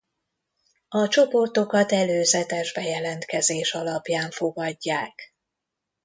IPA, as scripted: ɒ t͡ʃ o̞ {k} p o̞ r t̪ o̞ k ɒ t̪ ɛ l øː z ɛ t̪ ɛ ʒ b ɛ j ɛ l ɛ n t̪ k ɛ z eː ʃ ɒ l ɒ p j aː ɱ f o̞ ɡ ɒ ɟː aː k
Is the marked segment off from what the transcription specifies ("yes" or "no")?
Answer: yes